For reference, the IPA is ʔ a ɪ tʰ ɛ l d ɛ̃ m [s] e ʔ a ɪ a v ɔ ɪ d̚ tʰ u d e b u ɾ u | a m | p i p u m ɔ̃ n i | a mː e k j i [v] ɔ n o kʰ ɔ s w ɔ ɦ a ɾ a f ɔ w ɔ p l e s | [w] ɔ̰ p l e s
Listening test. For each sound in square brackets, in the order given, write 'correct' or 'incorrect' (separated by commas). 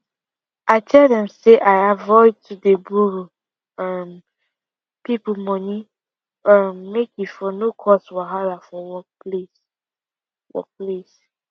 correct, incorrect, correct